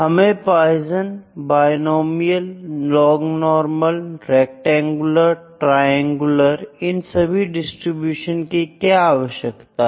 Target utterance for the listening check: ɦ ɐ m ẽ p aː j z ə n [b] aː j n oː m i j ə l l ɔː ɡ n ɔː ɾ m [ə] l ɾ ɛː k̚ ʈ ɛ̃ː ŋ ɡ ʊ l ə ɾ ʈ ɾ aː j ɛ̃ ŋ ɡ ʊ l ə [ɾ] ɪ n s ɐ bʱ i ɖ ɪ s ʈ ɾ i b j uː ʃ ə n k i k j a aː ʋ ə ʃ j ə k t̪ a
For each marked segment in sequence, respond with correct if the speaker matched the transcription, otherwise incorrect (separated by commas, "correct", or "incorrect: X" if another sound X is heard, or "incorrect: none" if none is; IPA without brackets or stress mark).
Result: correct, correct, correct